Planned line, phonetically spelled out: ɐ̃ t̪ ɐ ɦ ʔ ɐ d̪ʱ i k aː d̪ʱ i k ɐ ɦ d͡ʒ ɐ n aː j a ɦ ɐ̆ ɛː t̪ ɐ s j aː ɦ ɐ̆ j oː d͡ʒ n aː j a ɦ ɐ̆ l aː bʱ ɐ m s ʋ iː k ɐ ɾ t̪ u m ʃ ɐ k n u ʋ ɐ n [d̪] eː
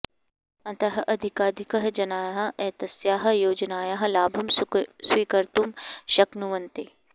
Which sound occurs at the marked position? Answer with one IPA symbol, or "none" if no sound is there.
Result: t̪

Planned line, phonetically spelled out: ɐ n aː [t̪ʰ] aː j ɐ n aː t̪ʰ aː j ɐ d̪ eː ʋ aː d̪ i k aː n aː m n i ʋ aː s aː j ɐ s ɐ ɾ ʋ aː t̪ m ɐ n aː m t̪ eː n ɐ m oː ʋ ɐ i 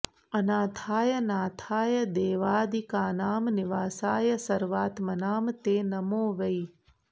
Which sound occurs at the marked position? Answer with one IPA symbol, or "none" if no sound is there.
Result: t̪ʰ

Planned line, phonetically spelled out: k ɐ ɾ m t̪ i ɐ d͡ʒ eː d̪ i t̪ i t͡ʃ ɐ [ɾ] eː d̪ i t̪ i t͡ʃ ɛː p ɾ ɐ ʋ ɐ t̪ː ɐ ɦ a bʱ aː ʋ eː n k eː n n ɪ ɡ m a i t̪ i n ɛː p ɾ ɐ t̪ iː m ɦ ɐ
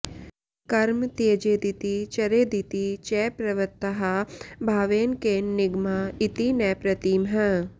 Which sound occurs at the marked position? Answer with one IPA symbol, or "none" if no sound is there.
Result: ɾ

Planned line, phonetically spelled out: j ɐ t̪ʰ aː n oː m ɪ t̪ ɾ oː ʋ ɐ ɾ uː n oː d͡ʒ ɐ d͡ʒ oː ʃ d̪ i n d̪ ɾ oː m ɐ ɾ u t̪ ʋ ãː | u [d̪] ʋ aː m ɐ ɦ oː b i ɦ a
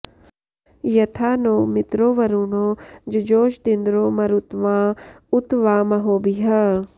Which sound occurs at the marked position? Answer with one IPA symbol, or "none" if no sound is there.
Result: t̪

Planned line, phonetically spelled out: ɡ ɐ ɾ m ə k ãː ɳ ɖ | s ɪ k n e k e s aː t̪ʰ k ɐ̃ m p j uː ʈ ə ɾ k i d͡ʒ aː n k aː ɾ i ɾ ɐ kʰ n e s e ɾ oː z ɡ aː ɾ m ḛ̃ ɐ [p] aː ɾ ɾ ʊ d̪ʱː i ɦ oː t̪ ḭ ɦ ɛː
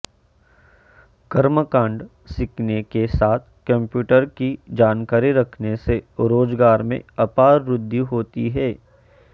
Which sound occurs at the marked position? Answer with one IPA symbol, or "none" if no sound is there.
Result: p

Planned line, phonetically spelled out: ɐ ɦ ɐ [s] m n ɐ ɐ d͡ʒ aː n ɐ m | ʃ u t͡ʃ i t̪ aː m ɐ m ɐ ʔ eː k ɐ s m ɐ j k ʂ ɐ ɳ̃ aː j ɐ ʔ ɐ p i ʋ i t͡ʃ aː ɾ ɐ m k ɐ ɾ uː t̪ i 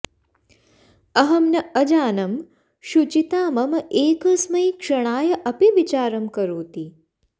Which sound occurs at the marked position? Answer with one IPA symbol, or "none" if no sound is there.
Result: none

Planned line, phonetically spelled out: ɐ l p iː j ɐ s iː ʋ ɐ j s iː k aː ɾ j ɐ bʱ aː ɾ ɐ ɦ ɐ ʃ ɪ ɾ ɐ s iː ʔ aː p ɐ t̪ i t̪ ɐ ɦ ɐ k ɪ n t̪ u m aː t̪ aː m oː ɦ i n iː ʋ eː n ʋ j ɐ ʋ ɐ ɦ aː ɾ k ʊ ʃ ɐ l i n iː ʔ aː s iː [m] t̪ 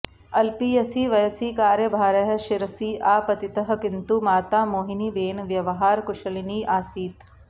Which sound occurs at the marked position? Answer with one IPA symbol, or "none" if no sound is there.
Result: none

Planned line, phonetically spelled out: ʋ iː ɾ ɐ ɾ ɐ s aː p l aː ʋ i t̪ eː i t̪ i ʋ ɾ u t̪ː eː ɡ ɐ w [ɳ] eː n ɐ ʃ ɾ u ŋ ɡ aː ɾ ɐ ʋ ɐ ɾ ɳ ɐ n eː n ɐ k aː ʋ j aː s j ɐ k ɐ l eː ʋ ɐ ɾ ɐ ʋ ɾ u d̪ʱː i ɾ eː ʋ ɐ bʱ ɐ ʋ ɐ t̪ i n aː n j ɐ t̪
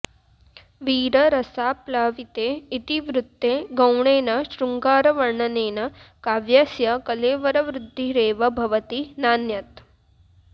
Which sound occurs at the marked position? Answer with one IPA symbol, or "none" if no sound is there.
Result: ɳ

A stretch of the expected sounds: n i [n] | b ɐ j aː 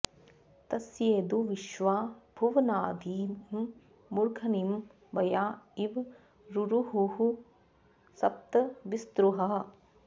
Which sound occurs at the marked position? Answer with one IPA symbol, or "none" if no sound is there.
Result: m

